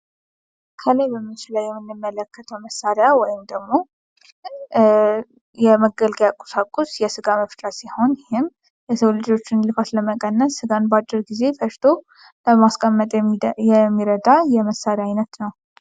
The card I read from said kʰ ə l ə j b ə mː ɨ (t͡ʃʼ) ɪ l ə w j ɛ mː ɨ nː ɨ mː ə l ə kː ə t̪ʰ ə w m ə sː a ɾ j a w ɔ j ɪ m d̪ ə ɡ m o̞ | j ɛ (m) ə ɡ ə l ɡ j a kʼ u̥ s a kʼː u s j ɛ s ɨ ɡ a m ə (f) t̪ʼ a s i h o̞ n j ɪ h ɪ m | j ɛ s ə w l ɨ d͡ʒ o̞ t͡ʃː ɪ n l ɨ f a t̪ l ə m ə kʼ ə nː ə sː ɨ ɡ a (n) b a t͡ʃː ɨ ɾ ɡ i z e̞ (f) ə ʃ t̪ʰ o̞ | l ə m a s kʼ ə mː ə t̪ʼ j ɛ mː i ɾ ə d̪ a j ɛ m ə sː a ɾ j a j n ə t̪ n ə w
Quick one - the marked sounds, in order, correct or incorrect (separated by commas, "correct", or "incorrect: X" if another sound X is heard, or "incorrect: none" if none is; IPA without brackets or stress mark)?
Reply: incorrect: t͡ʃ, correct, correct, correct, correct